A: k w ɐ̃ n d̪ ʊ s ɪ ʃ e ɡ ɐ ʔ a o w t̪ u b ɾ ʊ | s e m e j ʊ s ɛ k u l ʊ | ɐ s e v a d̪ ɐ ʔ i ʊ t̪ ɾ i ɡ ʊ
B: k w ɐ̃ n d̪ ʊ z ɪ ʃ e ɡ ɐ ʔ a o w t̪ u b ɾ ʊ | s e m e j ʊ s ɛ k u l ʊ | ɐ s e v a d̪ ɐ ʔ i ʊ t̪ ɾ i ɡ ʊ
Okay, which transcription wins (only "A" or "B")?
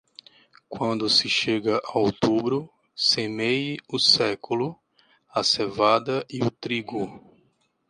A